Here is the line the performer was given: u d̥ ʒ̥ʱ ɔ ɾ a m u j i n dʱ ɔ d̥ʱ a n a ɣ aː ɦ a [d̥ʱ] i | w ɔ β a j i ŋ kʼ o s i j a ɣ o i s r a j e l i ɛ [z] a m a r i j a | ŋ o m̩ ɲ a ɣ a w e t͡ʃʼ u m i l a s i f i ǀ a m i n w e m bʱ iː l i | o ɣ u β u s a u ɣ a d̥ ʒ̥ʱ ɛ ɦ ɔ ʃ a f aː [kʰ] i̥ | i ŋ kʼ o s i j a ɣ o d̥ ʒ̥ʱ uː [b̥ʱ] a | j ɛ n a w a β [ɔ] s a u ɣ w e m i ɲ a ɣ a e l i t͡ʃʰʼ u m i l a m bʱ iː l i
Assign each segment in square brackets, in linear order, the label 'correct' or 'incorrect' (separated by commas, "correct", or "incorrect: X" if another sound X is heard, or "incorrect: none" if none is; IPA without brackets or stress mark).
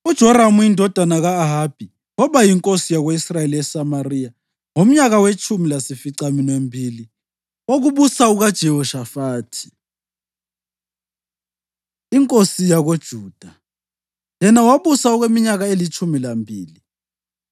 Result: incorrect: b̥ʱ, incorrect: s, incorrect: tʰ, incorrect: d̥ʱ, incorrect: u